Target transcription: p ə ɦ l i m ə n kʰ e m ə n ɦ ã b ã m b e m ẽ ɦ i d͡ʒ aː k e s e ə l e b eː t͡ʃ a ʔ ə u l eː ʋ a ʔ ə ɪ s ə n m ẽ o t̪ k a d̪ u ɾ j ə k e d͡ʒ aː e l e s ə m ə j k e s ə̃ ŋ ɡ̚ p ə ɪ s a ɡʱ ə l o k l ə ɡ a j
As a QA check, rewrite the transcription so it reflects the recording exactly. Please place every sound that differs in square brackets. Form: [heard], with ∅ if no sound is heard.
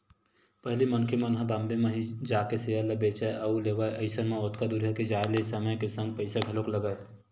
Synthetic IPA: p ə ɦ l i m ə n kʰ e m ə n ɦ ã b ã m b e m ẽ ɦ i d͡ʒ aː k e s e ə l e b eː t͡ʃ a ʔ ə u l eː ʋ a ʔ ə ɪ s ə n m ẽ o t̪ k a d̪ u ɾ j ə k e d͡ʒ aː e l e s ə m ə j k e s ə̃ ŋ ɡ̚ p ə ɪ s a ɡʱ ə l o k l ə ɡ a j